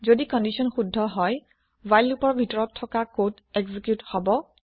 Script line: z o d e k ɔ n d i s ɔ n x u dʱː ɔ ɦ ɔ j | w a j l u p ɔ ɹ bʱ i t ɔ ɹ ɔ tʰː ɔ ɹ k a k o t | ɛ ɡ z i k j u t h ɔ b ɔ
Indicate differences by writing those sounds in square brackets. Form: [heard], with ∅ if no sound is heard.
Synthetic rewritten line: z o d [i] k ɔ n d i s ɔ n x u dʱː ɔ ɦ ɔ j | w a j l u p ɔ ɹ bʱ i t ɔ ɹ ɔ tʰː ɔ [∅] k a k o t | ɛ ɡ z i k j u t h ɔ b ɔ